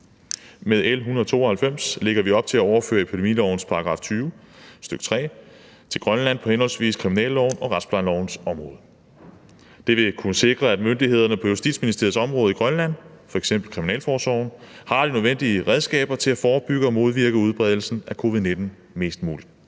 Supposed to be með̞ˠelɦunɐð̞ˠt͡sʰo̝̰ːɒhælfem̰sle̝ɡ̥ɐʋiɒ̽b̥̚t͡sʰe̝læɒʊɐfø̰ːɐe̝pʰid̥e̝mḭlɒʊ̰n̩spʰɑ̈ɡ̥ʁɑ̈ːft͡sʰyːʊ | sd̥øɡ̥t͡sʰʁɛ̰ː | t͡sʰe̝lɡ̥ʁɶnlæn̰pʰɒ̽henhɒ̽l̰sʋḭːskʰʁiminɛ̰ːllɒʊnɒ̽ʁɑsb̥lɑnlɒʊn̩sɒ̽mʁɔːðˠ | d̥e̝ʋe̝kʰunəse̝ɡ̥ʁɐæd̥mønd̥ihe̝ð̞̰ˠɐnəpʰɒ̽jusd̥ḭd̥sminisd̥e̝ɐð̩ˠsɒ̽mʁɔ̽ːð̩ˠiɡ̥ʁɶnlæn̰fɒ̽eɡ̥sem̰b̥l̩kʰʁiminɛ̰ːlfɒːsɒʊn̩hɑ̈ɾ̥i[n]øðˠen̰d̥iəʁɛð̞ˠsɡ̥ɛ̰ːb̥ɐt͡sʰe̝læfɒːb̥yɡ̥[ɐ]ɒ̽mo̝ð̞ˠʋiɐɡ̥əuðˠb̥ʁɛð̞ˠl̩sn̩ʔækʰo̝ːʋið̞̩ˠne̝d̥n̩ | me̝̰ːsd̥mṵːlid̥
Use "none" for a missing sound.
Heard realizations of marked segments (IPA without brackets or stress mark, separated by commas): n, ə